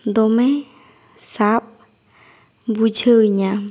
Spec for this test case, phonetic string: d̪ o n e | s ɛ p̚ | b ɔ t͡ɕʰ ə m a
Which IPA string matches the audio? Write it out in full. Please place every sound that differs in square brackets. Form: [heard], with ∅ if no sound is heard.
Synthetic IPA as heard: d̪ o [m] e | s [a] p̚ | b [u] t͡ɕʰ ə [ɲ] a